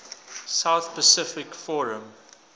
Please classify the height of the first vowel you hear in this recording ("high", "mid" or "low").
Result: low